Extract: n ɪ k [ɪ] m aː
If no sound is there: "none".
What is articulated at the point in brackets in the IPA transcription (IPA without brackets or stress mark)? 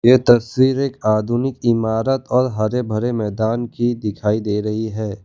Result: ɪ